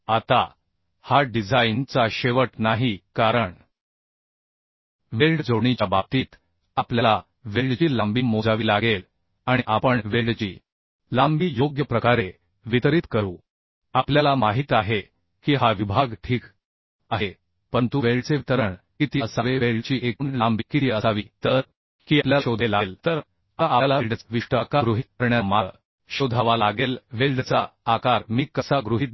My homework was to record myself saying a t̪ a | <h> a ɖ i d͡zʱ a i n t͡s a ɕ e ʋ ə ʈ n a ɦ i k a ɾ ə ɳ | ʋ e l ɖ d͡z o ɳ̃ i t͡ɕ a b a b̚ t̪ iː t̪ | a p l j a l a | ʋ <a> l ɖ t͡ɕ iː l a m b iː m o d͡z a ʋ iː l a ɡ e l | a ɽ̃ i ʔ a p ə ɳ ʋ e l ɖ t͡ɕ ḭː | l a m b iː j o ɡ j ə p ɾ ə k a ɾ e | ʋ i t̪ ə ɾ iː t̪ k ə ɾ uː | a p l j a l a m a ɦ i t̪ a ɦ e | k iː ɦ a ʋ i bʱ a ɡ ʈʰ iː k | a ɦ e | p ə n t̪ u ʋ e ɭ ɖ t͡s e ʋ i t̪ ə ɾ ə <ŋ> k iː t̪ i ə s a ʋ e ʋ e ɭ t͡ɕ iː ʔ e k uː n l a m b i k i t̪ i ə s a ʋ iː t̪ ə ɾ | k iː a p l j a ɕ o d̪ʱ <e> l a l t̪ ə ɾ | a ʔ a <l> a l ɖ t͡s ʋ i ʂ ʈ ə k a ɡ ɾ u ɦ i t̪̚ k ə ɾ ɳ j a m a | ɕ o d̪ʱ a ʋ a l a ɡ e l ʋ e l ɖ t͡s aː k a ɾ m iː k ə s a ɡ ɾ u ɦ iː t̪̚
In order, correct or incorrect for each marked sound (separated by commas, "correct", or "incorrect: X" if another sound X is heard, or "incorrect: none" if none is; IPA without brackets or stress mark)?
correct, incorrect: e, incorrect: ɳ, correct, correct